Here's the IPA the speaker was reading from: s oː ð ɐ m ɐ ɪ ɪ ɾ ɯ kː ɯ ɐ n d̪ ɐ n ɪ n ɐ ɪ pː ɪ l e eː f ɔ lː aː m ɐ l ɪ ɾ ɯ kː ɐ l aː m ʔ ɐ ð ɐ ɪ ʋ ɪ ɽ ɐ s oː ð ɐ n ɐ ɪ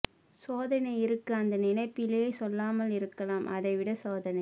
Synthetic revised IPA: s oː ð ɐ n ɐ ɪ ɪ ɾ ɯ kː ɯ ɐ n d̪ ɐ n ɪ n ɐ ɪ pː ɪ l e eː s ɔ lː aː m ɐ l ɪ ɾ ɯ kː ɐ l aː m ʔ ɐ ð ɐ ɪ ʋ ɪ ɽ ɐ s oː ð ɐ n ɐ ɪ